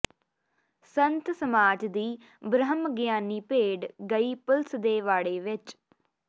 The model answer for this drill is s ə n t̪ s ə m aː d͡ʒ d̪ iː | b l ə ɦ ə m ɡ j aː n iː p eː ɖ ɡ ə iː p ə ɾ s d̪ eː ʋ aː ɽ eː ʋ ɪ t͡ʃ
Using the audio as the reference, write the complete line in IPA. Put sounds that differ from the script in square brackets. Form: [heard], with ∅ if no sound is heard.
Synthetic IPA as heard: s ə n t̪ s ə m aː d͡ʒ d̪ iː | b [ɾ] ə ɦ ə m ɡ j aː n iː p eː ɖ ɡ ə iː p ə [l] s d̪ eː ʋ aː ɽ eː ʋ ɪ t͡ʃ